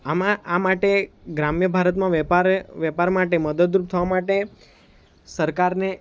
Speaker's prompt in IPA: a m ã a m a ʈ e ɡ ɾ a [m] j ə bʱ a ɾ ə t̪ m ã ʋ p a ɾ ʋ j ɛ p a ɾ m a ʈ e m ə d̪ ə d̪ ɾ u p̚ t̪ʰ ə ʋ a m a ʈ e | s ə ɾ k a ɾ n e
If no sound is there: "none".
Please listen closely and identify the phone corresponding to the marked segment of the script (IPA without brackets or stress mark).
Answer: m